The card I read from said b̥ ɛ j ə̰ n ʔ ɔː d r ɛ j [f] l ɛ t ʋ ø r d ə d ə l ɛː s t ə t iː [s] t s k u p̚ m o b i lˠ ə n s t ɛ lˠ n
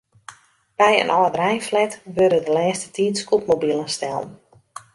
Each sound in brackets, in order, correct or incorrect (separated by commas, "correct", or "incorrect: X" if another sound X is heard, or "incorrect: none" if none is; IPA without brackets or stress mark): correct, incorrect: none